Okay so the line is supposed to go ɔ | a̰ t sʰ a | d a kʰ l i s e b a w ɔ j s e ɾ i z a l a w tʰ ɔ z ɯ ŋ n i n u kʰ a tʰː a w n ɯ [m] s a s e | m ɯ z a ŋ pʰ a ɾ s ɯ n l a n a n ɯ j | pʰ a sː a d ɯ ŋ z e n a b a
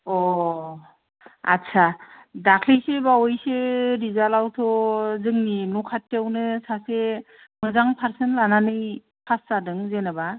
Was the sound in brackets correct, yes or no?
no